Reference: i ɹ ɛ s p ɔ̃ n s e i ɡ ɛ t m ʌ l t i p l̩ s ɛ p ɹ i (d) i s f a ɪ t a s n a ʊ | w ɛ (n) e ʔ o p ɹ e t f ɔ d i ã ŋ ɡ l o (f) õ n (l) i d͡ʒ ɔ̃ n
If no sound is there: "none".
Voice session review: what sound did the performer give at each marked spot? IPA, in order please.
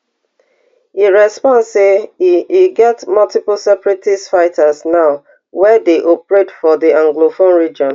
t, d, f, ɹ

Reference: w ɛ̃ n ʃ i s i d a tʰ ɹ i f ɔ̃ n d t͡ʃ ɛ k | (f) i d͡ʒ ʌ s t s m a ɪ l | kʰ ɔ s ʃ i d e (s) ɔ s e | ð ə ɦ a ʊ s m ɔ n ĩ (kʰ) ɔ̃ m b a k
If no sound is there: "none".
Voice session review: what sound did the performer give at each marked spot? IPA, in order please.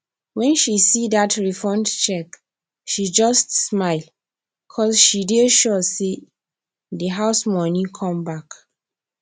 ʃ, ʃ, kʰ

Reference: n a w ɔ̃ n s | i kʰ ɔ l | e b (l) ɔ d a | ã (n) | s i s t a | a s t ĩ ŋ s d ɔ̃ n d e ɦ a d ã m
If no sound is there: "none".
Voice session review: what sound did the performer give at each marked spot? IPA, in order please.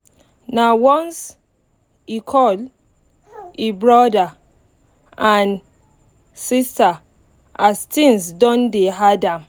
ɹ, n

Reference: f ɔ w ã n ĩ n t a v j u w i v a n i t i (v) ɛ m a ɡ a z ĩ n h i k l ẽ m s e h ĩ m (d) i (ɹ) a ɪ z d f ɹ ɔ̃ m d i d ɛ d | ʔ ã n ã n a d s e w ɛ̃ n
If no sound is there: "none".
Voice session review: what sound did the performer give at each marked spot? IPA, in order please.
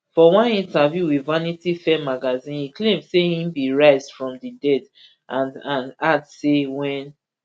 f, b, ɹ

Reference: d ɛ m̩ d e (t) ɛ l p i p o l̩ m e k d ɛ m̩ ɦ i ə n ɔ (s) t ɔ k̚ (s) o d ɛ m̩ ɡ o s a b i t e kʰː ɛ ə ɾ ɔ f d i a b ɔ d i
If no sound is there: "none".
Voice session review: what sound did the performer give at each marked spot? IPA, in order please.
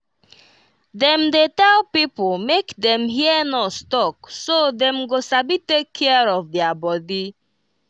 t, s, s

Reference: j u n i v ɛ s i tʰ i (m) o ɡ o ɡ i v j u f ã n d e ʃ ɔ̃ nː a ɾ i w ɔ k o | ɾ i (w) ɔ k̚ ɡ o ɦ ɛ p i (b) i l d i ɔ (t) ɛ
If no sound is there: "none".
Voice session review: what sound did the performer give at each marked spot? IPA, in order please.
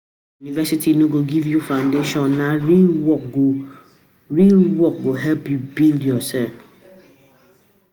n, w, b, s

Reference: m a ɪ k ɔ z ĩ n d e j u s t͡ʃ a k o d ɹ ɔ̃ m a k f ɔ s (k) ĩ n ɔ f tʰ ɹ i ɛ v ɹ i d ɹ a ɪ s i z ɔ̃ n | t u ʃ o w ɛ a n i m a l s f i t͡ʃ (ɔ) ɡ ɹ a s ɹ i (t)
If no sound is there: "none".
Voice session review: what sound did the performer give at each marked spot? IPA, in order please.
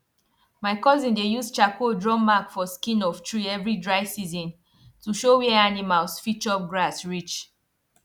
k, ɔ, t͡ʃ

